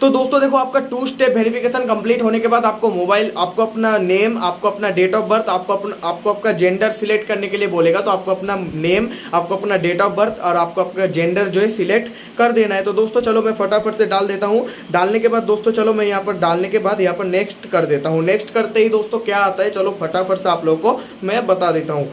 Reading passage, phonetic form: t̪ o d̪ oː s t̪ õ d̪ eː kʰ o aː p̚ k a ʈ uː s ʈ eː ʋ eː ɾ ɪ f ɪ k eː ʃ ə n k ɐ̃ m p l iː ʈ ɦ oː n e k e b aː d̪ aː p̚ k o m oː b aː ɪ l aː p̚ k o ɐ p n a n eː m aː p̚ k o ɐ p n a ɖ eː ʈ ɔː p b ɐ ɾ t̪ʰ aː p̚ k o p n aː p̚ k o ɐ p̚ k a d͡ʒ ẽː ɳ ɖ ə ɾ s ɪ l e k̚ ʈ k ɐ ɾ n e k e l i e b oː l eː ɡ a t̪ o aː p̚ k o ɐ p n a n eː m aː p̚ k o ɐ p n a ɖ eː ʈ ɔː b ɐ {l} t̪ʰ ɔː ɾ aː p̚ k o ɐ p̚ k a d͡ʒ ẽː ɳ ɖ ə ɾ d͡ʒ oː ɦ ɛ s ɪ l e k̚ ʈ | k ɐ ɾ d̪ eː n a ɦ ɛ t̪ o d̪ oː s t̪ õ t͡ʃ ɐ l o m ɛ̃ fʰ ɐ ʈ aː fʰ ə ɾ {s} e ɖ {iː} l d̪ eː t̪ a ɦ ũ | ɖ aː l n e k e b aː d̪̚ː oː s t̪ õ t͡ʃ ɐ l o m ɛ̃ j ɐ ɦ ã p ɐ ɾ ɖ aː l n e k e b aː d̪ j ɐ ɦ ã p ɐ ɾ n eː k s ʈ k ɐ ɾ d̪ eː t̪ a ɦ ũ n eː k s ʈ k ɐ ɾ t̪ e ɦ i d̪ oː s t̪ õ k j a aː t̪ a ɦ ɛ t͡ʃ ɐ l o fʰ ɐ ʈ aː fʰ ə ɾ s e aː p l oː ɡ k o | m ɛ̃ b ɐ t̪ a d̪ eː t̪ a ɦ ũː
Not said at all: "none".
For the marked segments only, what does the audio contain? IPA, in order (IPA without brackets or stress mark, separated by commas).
ɾ, s, aː